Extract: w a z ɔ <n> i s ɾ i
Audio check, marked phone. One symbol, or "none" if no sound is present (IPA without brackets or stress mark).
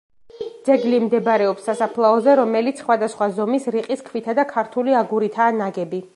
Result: m